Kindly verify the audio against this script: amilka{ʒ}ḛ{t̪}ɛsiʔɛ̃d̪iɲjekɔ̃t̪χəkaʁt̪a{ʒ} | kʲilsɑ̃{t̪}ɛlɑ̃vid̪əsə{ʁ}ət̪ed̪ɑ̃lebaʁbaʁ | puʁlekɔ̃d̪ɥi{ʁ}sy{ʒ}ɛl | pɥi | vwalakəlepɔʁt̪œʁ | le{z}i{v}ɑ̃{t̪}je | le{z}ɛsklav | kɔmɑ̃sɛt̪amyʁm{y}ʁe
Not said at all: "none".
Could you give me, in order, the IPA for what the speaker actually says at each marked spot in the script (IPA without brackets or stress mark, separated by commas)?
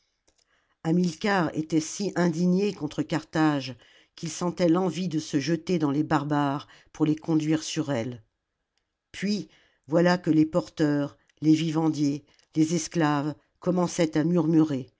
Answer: ʁ, t̪, ʒ, t̪, ʒ, ʁ, ʁ, v, v, d̪, z, y